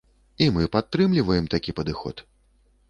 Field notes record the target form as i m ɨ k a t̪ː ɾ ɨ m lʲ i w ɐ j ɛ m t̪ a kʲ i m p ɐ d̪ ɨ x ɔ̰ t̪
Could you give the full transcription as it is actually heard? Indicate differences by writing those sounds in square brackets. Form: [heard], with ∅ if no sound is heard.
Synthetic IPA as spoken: i m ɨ [p] a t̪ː ɾ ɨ m lʲ i [v] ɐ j ɛ m t̪ a kʲ i [∅] p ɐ d̪ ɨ x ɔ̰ t̪

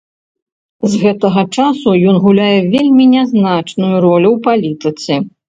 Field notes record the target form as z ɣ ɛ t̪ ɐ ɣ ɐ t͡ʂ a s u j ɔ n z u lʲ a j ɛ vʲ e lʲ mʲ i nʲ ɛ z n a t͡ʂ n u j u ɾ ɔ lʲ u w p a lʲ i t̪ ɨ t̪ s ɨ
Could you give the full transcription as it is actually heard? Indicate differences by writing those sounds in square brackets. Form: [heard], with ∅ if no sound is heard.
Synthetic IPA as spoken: z ɣ ɛ t̪ ɐ ɣ ɐ t͡ʂ a s u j ɔ n [ɣ] u lʲ a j ɛ vʲ e lʲ mʲ i nʲ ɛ z n a t͡ʂ n u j u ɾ ɔ lʲ u w p a lʲ i t̪ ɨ t̪ s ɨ

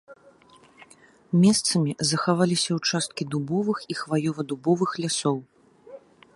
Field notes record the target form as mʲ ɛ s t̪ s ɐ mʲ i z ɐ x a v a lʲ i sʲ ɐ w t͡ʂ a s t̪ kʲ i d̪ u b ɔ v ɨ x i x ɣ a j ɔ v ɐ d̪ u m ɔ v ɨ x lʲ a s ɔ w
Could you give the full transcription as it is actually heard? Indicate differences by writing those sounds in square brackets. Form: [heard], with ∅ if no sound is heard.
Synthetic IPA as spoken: mʲ ɛ s t̪ s ɐ mʲ i z ɐ x a v a lʲ i sʲ ɐ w t͡ʂ a s t̪ kʲ i d̪ u b ɔ v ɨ x i x [v] a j ɔ v ɐ d̪ u [b] ɔ v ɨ x lʲ a s ɔ w

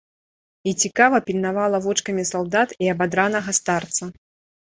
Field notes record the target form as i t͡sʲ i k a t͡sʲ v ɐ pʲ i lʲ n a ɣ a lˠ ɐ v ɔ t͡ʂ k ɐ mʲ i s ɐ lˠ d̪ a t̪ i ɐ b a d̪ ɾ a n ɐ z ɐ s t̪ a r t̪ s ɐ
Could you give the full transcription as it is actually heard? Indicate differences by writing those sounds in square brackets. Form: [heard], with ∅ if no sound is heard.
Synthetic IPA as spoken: i t͡sʲ i k a [∅] v ɐ pʲ i lʲ n a [v] a lˠ ɐ v ɔ t͡ʂ k ɐ mʲ i s [a] lˠ d̪ a t̪ i ɐ b a d̪ ɾ a n ɐ [ɣ] ɐ s t̪ a r t̪ s ɐ

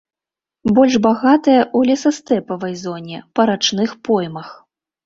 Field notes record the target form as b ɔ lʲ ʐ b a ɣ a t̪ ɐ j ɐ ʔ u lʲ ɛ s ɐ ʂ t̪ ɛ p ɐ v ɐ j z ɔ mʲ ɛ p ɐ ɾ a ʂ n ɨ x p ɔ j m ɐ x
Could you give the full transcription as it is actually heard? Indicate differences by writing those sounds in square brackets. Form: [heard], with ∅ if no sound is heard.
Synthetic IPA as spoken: b ɔ lʲ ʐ b a ɣ a t̪ ɐ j ɐ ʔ u lʲ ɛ s ɐ [s] t̪ ɛ p ɐ v ɐ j z ɔ [nʲ] ɛ p ɐ ɾ a [t͡ʂ] n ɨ x p ɔ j m ɐ x

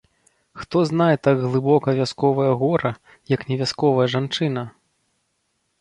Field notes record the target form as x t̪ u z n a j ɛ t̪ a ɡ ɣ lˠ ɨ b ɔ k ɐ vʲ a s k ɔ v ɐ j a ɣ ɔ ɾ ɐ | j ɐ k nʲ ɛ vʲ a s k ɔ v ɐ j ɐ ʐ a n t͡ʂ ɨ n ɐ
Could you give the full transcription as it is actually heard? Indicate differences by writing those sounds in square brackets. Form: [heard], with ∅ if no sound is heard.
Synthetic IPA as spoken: x t̪ [ɔ] z n a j ɛ t̪ a ɡ ɣ lˠ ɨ b ɔ k ɐ vʲ a s k ɔ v ɐ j [ɐ] ɣ ɔ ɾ ɐ | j ɐ k nʲ ɛ vʲ a s k ɔ v ɐ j ɐ ʐ a n t͡ʂ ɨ n ɐ

